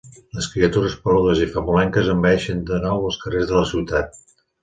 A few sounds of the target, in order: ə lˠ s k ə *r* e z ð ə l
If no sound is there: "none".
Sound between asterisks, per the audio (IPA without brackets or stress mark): r